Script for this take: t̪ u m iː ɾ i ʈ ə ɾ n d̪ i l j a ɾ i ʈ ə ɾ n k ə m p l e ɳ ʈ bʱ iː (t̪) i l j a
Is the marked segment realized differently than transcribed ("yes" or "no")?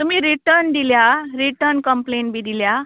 yes